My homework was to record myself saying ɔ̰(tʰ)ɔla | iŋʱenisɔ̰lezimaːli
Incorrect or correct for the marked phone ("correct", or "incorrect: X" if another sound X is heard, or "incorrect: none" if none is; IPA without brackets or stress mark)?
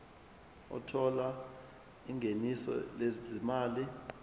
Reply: correct